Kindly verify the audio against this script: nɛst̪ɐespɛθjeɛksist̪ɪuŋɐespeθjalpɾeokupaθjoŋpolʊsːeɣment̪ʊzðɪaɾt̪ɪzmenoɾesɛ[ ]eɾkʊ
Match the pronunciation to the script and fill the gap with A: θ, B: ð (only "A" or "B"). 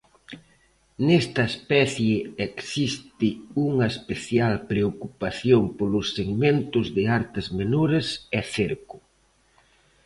A